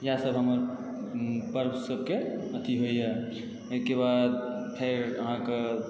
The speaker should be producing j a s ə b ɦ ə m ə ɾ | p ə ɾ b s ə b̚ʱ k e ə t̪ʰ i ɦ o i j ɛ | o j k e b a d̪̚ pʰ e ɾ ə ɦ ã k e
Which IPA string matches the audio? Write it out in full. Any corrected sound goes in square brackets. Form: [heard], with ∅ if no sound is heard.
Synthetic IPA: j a s ə b ɦ ə m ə ɾ | p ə ɾ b s ə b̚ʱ k e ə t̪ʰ i ɦ o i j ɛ | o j k e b a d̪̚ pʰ e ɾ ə ɦ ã k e